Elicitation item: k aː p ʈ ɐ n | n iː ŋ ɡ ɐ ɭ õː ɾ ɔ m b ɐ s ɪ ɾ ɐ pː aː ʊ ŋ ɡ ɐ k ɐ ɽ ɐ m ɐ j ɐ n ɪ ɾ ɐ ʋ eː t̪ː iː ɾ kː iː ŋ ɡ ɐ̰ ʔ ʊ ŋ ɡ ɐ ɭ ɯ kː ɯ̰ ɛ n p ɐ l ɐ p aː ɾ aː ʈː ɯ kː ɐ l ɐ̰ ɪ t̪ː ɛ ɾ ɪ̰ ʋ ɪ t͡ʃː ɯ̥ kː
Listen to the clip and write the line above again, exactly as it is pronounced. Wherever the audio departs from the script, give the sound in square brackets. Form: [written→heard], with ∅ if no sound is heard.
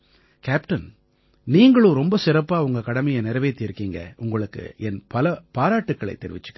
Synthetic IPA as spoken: k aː p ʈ ɐ n | n iː ŋ ɡ ɐ ɭ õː ɾ ɔ m b ɐ s ɪ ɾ ɐ pː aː ʊ ŋ ɡ ɐ k ɐ ɽ ɐ m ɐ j ɐ n ɪ ɾ ɐ ʋ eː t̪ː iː ɾ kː iː ŋ ɡ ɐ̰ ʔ ʊ ŋ ɡ ɐ ɭ ɯ kː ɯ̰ ɛ n p ɐ l ɐ p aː ɾ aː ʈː ɯ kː ɐ [l→ɭ] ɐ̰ ɪ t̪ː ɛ ɾ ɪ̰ ʋ ɪ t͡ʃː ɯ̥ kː